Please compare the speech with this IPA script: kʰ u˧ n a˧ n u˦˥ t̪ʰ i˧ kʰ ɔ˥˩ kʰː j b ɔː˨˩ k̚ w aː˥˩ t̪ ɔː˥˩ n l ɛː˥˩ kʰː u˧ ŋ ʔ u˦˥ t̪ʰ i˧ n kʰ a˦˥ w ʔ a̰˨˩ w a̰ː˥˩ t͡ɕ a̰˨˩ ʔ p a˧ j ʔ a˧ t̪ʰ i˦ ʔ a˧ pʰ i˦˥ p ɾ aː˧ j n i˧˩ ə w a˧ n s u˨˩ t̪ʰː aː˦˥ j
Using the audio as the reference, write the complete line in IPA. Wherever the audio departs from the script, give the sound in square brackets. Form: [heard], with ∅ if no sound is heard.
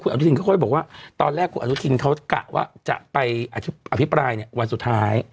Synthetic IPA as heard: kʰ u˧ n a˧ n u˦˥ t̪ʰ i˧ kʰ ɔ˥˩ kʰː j b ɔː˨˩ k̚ w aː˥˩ t̪ [ɔː˧] n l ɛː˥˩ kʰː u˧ [n] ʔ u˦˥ t̪ʰ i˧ n kʰ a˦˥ w [k] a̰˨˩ w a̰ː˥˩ t͡ɕ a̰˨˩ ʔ p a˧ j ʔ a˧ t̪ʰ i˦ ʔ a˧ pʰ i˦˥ p ɾ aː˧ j n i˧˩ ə w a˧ n s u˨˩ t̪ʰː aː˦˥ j